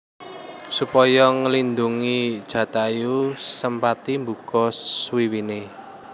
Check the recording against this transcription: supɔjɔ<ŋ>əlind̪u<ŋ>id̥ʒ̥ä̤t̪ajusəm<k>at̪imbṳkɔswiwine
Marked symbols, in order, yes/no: yes, yes, no

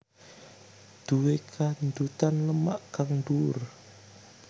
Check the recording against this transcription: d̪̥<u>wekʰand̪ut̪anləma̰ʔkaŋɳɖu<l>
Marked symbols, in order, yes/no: yes, no

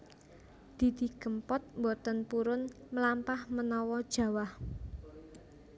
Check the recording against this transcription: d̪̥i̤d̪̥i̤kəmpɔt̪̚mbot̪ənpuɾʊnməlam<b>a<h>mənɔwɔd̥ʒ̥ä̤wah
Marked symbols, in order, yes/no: no, yes

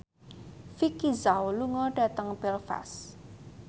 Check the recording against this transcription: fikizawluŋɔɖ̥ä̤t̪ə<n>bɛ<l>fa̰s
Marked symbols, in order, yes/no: no, yes

